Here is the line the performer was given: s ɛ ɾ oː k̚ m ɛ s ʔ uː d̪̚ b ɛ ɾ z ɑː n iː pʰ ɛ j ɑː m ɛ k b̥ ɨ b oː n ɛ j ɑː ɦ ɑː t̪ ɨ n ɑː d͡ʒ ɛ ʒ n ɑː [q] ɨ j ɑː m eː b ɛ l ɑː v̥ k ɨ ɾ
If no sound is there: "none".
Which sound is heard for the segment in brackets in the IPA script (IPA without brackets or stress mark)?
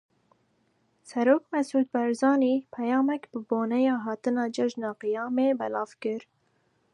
q